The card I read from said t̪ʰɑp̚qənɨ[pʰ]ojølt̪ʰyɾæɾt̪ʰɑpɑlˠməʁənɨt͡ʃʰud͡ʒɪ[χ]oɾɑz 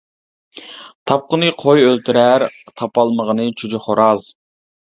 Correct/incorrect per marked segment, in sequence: incorrect: qʰ, correct

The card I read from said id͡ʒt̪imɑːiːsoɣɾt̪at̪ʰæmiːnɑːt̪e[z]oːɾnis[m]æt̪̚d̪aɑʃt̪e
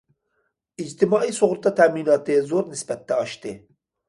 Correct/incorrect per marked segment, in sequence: correct, incorrect: b

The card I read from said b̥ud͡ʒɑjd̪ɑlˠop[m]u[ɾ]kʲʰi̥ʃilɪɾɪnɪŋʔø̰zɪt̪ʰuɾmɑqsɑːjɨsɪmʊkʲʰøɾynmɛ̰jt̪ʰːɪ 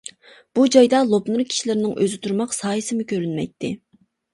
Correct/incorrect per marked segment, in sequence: incorrect: n, correct

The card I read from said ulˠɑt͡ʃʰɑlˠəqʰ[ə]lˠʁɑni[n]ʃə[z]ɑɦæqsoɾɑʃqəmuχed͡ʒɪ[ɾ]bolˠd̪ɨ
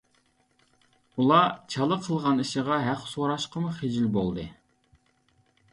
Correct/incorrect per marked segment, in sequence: correct, incorrect: none, incorrect: ʁ, incorrect: l

